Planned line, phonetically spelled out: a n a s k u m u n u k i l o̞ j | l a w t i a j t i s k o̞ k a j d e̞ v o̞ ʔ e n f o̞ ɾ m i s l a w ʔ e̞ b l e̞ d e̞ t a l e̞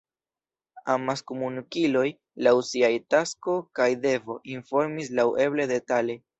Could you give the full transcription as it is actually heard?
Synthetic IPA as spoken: a m a s k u m u n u k i l o̞ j | l a w s i a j t a s k o̞ k a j d e̞ v o̞ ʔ i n f o̞ ɾ m i s l a w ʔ e̞ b l e̞ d e̞ t a l e̞